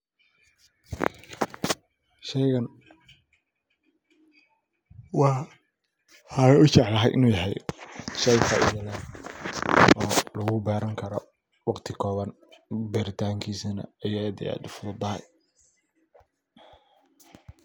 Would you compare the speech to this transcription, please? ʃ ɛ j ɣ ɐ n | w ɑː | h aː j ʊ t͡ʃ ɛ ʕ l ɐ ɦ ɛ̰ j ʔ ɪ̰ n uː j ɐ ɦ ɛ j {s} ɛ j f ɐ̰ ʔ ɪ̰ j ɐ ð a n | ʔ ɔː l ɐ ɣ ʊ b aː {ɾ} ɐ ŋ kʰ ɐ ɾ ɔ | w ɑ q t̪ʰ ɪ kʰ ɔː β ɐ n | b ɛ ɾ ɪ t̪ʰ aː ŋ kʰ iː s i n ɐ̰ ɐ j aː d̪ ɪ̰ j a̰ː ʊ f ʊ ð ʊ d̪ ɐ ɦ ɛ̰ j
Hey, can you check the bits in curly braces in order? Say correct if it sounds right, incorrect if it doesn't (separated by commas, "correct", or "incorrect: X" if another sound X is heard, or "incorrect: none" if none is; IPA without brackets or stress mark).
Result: incorrect: ʃ, correct